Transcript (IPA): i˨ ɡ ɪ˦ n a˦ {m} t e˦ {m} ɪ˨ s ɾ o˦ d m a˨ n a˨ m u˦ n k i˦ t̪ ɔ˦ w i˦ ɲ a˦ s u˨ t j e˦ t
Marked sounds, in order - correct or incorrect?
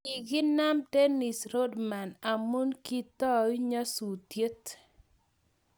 correct, incorrect: n

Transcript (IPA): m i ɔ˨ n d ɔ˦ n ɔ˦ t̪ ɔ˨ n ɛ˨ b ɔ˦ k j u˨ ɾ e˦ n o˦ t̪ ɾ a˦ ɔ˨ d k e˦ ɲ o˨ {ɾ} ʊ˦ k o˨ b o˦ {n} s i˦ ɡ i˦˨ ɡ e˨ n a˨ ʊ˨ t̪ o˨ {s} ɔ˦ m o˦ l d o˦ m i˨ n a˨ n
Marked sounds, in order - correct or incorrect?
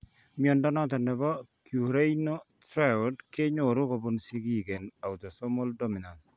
correct, correct, correct

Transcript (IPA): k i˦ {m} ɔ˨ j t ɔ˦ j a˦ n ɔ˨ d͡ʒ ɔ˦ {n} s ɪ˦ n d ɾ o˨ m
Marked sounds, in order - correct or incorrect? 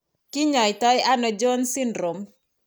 incorrect: ɲ, correct

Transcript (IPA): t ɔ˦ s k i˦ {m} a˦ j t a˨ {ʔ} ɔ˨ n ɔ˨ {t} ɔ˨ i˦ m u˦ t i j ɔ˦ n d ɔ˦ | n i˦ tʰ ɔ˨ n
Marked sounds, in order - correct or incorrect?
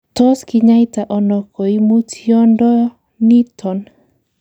incorrect: ɲ, correct, incorrect: k

